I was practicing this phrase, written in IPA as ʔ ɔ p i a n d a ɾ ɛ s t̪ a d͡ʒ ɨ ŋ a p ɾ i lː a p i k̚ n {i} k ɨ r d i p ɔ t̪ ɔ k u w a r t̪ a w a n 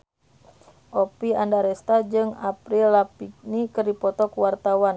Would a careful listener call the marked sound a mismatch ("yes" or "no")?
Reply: no